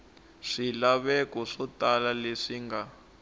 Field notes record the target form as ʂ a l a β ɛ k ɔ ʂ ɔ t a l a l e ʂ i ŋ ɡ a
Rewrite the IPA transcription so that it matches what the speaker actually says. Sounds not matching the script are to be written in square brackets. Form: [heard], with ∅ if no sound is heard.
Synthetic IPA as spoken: ʂ [i] l a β ɛ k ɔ ʂ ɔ t a l a l e ʂ i ŋ ɡ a